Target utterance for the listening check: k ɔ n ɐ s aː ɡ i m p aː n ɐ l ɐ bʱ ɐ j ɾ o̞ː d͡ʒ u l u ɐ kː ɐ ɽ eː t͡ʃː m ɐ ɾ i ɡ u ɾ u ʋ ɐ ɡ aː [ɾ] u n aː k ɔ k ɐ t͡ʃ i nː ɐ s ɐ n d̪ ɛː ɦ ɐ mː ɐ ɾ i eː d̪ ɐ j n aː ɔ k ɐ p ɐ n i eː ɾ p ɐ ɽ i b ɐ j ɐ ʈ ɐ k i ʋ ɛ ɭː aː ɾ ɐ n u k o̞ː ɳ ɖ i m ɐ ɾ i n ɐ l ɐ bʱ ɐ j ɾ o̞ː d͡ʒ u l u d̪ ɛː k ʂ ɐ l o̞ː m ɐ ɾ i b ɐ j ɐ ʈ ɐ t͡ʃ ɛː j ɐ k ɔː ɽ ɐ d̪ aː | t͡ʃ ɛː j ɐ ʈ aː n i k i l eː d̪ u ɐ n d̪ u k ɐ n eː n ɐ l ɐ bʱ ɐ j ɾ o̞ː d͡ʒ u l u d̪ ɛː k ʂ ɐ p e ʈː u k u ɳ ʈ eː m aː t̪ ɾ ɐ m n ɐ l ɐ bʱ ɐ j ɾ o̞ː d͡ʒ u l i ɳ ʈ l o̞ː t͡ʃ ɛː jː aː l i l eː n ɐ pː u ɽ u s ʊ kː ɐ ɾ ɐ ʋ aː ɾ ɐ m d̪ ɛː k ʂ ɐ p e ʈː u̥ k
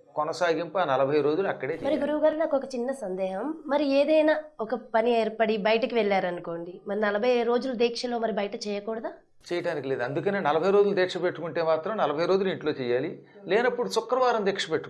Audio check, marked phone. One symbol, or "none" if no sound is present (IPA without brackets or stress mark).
ɾ